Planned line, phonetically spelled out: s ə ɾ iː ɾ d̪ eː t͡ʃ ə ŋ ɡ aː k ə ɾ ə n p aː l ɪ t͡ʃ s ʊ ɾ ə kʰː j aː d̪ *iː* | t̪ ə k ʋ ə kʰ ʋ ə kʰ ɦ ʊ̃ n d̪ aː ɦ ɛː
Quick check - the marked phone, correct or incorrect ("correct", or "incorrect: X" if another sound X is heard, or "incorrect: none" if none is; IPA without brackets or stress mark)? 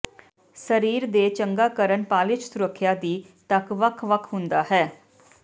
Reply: correct